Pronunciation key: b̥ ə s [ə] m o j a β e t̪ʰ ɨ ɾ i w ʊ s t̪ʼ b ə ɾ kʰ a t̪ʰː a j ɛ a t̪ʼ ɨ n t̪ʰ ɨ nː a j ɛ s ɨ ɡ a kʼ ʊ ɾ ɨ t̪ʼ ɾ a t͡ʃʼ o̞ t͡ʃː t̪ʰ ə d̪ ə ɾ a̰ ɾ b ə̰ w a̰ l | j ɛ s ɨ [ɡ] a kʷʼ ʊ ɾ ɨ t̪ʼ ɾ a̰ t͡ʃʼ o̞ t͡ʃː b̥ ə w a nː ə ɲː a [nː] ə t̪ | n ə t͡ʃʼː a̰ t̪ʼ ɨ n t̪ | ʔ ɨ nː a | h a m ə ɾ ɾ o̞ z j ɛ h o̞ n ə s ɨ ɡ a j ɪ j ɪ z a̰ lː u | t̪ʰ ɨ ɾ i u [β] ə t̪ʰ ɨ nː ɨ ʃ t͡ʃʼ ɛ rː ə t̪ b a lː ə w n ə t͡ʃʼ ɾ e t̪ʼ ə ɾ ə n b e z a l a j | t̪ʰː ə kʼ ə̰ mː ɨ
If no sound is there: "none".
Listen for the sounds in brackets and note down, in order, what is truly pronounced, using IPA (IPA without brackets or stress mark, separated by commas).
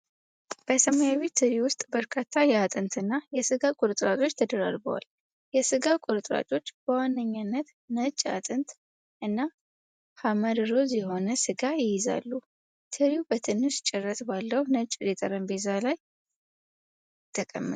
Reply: ə, ɡ, nː, b